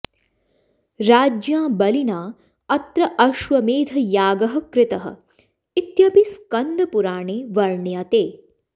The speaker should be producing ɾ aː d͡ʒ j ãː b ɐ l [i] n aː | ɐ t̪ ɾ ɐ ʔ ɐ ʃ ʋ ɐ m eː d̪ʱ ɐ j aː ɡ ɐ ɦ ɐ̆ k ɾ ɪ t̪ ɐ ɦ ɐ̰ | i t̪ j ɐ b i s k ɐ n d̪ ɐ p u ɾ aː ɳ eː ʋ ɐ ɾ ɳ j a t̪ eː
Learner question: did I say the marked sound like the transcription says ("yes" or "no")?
yes